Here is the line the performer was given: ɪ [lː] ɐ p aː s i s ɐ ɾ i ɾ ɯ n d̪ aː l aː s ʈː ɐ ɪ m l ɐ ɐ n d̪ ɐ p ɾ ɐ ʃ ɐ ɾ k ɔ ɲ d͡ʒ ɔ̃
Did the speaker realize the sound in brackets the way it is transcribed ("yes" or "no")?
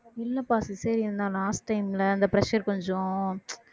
yes